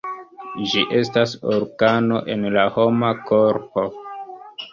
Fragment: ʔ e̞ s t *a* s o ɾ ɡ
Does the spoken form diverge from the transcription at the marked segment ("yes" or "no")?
no